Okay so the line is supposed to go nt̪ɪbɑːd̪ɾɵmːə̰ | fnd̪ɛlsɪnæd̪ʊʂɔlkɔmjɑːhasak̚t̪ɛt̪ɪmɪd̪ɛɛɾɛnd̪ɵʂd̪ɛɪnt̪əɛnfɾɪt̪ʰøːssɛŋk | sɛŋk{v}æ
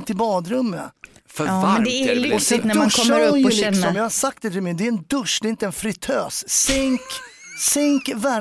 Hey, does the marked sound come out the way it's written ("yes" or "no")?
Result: yes